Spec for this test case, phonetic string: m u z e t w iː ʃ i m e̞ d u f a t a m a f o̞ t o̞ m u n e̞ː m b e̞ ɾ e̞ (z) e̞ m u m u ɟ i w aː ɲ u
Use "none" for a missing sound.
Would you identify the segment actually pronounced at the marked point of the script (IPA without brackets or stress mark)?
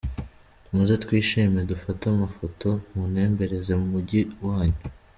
z